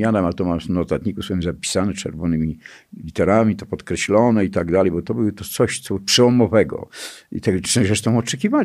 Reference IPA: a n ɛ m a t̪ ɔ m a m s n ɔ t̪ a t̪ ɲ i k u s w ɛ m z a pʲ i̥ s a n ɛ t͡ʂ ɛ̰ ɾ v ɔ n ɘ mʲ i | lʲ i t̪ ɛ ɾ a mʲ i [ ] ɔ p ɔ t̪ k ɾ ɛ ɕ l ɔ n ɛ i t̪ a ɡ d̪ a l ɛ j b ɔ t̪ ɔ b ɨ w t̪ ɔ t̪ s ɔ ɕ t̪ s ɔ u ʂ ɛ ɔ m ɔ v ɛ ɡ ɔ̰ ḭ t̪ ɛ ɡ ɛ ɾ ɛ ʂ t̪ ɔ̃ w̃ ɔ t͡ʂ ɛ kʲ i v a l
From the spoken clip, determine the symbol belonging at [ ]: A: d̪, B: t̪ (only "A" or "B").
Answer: B